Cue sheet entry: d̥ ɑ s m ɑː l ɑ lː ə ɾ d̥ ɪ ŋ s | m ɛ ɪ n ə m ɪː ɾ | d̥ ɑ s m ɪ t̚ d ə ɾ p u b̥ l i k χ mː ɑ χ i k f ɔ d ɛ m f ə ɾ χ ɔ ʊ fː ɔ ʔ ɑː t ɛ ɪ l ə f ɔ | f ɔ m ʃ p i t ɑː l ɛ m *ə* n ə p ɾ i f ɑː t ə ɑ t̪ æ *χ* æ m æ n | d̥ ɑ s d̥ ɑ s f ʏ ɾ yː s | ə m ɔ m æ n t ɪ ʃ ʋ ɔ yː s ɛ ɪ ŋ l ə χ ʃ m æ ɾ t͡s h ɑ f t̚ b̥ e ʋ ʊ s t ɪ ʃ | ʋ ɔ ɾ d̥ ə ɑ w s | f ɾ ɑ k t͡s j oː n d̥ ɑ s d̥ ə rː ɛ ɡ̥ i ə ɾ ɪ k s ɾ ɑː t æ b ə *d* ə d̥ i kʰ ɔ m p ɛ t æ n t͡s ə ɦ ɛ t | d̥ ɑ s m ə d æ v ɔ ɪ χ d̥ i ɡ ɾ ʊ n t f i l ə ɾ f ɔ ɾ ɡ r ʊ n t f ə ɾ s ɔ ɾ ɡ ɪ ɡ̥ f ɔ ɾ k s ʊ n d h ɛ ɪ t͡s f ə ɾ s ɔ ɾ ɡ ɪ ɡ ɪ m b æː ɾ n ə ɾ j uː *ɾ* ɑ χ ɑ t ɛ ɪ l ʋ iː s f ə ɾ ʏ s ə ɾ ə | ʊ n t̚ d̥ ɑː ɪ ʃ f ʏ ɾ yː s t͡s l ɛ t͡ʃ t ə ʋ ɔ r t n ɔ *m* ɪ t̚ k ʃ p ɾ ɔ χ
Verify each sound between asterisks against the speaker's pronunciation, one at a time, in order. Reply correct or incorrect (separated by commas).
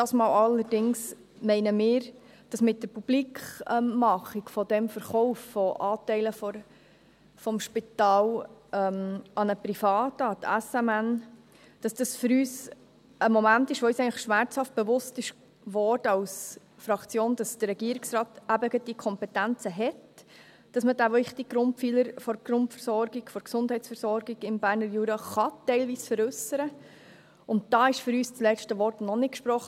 incorrect, incorrect, incorrect, correct, incorrect